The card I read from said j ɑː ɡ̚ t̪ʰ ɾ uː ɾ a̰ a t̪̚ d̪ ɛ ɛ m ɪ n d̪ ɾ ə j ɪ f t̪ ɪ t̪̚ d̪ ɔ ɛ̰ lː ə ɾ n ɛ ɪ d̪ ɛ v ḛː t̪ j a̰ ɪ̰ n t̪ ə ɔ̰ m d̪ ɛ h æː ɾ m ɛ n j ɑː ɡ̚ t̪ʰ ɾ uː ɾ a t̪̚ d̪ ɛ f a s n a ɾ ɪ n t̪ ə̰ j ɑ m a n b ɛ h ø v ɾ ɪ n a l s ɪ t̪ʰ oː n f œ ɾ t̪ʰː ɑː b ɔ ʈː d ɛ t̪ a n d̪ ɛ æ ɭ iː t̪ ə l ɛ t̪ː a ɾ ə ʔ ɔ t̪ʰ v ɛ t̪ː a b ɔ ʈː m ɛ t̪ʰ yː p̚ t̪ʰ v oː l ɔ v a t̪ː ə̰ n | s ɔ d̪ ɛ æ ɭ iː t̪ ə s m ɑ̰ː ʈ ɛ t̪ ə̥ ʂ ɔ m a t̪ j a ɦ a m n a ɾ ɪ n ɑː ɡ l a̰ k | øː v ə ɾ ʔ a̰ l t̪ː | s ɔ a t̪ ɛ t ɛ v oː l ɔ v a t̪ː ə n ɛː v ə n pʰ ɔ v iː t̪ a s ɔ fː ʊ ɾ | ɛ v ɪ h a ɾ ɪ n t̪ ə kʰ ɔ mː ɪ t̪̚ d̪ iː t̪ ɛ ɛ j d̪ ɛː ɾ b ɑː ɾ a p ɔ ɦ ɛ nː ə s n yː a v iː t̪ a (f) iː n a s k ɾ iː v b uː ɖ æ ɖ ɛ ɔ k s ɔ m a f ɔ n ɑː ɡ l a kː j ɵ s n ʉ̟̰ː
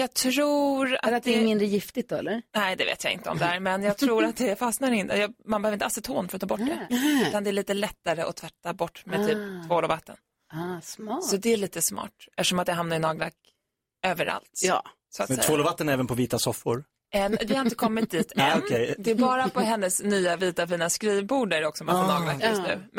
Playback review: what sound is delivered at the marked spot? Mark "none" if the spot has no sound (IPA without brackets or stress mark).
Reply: f